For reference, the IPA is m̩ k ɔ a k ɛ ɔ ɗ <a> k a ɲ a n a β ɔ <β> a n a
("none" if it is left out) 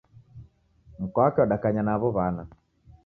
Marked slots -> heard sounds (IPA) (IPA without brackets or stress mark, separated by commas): a, β